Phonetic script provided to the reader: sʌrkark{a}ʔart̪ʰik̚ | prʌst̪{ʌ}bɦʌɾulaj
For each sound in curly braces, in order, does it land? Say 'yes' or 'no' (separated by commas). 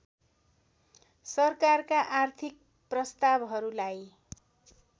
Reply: yes, no